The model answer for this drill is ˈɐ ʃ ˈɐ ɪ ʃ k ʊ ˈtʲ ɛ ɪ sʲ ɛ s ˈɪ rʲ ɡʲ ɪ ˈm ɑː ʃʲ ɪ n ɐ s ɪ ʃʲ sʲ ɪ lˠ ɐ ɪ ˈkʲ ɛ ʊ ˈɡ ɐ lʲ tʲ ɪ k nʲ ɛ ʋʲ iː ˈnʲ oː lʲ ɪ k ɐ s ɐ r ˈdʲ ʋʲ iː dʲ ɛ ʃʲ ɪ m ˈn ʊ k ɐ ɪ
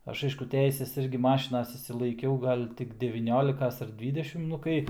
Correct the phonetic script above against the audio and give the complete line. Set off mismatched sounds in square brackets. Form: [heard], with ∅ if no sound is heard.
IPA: ˈɐ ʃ ˈɐ ɪ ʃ k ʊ ˈtʲ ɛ ɪ sʲ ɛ s ˈɪ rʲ ɡʲ ɪ ˈm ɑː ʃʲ ɪ n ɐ s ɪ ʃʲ sʲ ɪ lˠ ɐ ɪ ˈkʲ ɛ ʊ ˈɡ ɐ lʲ tʲ ɪ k [dʲ] ɛ ʋʲ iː ˈnʲ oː lʲ ɪ k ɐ s ɐ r ˈdʲ ʋʲ iː dʲ ɛ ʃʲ ɪ m ˈn ʊ k ɐ ɪ